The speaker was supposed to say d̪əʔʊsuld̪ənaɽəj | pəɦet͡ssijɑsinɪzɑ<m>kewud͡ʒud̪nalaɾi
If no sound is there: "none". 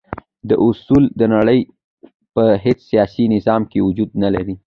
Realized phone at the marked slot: m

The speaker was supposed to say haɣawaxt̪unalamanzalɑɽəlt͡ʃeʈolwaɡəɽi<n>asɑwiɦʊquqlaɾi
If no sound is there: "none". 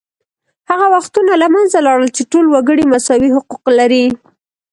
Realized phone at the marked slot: m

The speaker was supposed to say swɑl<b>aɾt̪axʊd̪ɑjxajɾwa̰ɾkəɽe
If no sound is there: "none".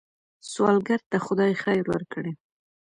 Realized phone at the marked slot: ɡ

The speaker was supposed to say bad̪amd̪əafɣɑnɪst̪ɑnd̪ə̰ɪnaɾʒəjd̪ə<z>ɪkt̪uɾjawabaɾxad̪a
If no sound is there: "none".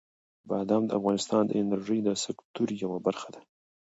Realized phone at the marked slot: s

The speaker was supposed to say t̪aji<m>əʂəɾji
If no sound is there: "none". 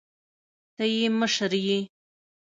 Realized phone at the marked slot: m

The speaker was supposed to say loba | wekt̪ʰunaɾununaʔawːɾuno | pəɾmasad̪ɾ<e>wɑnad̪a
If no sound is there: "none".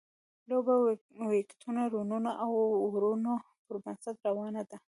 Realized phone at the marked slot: a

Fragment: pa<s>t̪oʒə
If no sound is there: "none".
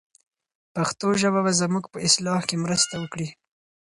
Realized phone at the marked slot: x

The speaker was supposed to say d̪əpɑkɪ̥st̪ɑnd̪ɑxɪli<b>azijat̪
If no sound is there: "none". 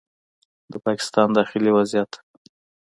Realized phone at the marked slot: w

